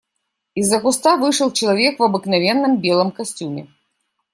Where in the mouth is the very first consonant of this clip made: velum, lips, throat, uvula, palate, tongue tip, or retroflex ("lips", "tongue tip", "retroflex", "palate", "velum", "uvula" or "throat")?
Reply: tongue tip